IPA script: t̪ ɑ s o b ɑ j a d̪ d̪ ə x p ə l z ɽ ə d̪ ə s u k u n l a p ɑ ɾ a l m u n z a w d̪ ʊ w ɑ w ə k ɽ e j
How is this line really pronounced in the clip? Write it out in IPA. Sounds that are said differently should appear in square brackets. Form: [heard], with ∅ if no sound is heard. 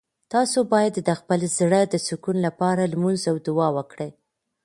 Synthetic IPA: t̪ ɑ s o b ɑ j a d̪ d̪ ə x p ə l z ɽ ə d̪ ə s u k u n l a p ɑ ɾ a l m u n z a w d̪ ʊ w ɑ w ə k ɽ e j